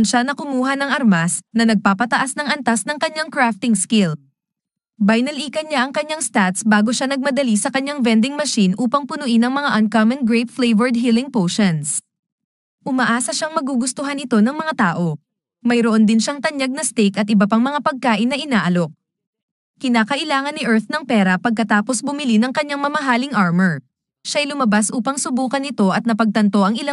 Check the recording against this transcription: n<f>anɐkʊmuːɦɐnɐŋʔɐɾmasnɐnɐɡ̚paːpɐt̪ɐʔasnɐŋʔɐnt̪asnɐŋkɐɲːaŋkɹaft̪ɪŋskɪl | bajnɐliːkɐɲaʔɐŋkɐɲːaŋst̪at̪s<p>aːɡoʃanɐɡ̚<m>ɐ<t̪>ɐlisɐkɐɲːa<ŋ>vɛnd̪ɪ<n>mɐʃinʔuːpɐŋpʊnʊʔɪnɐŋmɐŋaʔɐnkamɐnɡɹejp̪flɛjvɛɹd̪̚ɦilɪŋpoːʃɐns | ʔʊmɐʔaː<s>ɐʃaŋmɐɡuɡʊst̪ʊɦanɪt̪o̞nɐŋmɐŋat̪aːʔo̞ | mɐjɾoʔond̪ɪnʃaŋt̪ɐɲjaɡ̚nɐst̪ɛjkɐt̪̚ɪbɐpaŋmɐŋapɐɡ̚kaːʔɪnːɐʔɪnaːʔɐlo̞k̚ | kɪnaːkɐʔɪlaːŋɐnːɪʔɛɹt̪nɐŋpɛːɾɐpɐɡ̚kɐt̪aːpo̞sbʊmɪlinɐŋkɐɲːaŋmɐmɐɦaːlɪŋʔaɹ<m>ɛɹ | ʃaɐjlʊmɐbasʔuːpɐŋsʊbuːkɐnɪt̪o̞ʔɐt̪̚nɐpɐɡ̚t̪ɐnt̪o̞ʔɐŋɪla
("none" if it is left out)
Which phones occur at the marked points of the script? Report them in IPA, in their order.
ʃ, b, m, d̪, ŋ, ŋ, s, m

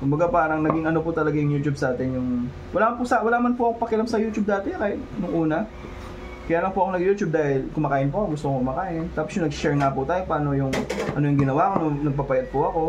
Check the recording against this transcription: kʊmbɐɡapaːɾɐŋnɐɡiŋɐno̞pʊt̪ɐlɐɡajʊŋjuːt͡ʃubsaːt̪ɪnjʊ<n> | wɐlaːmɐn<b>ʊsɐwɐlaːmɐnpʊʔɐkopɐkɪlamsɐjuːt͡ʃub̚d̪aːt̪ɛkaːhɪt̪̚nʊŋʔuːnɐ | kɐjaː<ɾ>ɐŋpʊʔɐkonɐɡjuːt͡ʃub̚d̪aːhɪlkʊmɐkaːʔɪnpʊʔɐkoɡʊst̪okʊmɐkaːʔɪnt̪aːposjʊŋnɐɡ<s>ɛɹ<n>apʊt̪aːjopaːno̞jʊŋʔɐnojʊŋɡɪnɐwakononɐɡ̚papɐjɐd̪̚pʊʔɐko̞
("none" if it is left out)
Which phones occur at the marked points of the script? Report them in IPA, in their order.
ŋ, p, l, ʃ, ŋ

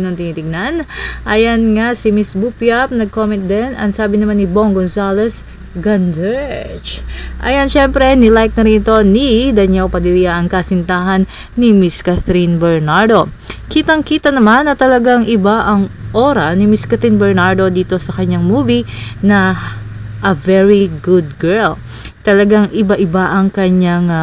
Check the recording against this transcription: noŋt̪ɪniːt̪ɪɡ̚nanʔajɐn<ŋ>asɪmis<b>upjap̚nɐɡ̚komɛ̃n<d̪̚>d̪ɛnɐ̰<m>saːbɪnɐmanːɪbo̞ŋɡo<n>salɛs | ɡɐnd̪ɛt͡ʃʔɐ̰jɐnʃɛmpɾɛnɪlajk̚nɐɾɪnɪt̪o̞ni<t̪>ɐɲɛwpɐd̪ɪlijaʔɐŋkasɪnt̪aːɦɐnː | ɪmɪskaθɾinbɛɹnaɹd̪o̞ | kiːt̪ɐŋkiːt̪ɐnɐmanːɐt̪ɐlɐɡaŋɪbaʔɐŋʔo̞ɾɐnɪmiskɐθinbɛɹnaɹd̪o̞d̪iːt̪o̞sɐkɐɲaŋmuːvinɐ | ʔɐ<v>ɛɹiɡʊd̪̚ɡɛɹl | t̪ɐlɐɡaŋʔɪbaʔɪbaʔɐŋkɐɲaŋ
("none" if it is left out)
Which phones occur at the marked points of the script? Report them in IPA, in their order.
ŋ, b, t̪̚, ŋ, n, d̪, v

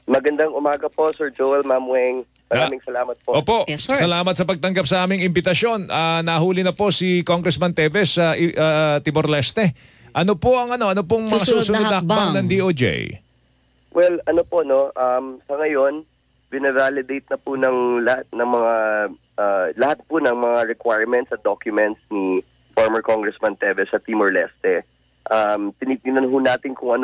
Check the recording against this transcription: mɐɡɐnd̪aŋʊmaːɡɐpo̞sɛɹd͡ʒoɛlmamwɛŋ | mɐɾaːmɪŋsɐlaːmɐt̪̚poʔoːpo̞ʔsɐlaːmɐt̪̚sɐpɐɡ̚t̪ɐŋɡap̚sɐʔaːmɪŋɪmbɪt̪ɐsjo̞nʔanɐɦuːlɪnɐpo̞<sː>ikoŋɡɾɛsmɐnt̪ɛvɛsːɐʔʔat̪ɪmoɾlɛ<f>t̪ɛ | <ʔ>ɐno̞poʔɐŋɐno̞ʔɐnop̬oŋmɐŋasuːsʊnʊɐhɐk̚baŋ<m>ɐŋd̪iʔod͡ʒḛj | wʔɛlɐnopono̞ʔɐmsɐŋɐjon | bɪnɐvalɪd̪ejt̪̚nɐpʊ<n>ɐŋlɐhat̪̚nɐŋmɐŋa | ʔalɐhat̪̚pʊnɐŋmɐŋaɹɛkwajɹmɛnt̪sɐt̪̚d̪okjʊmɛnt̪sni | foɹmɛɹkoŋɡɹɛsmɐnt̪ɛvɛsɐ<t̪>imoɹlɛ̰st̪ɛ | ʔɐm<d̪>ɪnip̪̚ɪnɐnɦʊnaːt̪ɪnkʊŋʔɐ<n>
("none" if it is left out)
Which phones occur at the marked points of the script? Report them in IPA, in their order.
s, s, ʔ, n, n, t̪, t̪, n

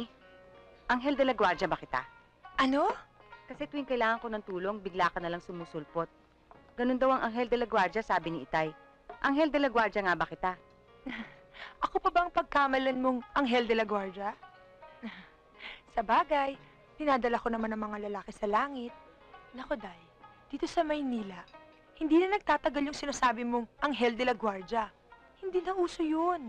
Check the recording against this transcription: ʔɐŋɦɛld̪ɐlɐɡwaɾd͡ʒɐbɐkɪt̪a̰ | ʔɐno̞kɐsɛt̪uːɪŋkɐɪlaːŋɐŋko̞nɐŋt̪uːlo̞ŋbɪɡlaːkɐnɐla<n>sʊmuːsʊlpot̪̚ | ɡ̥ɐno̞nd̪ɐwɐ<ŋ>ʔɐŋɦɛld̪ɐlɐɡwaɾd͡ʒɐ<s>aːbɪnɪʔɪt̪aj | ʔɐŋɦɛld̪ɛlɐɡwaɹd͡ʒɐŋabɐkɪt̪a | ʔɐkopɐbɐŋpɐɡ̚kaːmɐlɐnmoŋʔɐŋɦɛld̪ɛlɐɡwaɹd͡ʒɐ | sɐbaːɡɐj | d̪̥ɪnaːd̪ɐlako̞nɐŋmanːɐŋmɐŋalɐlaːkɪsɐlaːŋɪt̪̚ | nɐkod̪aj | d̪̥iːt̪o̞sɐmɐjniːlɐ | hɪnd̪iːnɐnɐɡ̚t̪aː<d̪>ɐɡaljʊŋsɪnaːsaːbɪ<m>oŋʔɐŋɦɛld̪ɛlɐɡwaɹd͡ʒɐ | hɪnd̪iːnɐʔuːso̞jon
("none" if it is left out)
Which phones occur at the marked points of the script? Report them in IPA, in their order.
ŋ, ŋ, s, t̪, m

